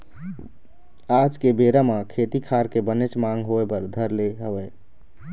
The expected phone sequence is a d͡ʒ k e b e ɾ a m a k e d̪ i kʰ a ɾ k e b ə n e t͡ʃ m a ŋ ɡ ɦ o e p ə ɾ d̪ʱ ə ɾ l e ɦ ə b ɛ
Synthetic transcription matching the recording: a d͡ʒ k e b e ɾ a m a kʰ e t̪ i kʰ a ɾ k e b ə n e t͡ʃ m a ŋ ɡ ɦ o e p ə ɾ d̪ʱ ə ɾ l e ɦ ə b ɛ